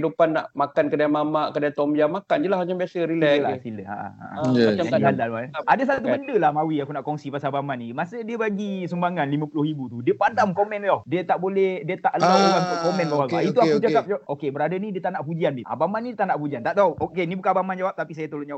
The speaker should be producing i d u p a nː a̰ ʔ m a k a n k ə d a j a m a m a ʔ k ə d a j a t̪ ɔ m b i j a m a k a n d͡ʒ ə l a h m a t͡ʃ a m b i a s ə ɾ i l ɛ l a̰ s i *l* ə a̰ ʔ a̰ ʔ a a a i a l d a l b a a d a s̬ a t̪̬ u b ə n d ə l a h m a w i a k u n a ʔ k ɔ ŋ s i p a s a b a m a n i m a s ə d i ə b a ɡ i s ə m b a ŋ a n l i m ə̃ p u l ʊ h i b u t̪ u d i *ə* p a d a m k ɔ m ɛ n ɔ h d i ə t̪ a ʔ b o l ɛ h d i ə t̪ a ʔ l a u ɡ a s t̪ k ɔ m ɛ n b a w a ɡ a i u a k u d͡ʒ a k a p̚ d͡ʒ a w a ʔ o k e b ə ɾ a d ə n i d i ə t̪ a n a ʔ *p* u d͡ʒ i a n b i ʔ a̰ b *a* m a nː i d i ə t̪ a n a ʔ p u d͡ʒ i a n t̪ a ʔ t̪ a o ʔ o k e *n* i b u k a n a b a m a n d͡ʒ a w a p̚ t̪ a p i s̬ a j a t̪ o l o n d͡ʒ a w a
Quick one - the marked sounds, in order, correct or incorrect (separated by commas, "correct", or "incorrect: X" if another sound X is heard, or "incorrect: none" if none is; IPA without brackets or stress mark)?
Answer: correct, correct, correct, correct, correct